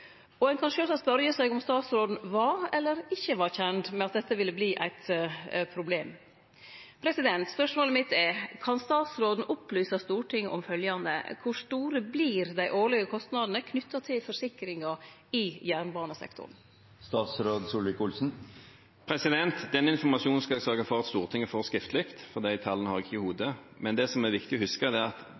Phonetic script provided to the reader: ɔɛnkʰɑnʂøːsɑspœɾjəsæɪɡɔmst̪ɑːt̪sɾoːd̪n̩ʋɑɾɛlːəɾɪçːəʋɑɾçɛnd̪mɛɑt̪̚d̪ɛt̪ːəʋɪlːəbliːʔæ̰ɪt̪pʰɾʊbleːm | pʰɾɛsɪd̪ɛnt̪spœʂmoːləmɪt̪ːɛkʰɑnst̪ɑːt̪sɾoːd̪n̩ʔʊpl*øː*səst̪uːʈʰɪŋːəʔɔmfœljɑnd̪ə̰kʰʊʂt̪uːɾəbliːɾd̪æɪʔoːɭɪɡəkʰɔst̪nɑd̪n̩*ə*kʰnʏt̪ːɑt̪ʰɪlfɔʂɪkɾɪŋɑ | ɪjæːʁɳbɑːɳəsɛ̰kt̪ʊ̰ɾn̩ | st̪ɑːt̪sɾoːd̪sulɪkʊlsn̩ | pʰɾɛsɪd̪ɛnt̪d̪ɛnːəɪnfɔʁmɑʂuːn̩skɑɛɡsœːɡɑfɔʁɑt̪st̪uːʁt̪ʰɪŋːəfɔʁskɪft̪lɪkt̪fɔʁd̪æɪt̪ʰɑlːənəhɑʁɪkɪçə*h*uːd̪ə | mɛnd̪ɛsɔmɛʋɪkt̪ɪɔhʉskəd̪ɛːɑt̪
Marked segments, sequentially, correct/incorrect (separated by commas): incorrect, correct, correct